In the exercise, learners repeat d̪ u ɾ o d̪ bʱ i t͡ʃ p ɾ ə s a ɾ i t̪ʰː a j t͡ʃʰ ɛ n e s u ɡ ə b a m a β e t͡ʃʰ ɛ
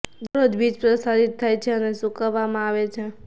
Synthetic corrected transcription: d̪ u ɾ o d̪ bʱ i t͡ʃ p ɾ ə s a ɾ i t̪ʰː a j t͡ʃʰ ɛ n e s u k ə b a m a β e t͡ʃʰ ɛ